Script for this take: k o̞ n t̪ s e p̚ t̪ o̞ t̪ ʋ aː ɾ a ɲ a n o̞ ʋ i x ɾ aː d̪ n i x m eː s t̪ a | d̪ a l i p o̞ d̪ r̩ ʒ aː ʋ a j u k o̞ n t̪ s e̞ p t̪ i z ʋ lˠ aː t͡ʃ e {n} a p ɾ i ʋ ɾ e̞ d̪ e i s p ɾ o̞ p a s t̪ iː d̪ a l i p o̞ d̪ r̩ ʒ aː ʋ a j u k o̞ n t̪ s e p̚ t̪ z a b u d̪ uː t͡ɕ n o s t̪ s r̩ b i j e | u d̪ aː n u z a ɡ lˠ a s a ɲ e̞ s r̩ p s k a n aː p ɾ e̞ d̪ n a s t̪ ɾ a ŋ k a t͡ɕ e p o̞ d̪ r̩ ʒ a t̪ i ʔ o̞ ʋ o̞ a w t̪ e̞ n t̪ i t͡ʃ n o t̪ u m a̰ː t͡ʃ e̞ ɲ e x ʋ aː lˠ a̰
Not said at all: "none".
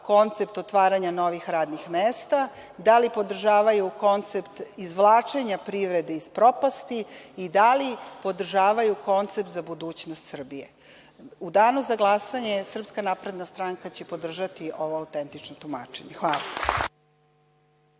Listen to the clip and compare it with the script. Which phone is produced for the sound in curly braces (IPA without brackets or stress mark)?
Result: ɲ